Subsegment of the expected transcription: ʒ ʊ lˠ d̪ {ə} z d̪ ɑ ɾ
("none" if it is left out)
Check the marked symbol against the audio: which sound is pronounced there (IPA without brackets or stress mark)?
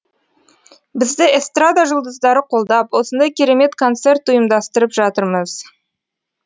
ə